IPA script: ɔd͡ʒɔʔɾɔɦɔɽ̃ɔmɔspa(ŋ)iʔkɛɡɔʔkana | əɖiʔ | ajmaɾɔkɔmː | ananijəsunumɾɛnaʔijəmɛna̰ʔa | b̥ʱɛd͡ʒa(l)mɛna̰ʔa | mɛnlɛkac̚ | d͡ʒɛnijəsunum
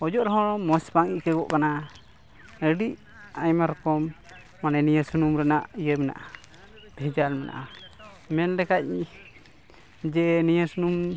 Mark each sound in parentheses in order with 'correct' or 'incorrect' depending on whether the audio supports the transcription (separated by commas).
correct, correct